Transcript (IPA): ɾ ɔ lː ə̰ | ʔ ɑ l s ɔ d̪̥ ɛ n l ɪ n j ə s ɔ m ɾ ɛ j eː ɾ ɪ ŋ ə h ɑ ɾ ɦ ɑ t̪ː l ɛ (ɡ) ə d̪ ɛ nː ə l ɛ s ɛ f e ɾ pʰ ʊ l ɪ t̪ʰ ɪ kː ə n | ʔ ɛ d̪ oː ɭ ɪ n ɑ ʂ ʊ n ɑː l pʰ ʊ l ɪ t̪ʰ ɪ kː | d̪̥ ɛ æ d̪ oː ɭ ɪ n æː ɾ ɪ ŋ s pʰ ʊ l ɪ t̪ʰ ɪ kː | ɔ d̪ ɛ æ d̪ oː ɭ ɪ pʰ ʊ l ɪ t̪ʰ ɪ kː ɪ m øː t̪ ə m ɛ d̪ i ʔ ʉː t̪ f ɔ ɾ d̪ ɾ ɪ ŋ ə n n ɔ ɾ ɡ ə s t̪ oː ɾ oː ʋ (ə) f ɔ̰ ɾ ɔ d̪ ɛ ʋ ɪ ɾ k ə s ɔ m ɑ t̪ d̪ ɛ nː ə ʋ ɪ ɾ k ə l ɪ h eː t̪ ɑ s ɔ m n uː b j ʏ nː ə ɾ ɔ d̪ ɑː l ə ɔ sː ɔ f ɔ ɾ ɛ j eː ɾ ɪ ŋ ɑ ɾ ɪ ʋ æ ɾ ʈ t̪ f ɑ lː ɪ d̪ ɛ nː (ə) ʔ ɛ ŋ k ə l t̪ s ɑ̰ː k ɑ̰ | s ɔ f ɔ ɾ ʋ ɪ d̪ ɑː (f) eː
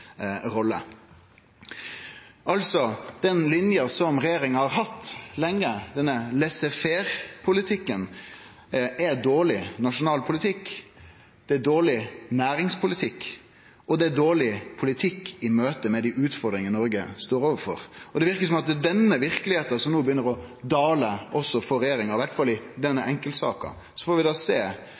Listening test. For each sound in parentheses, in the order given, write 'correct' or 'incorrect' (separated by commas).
incorrect, correct, correct, incorrect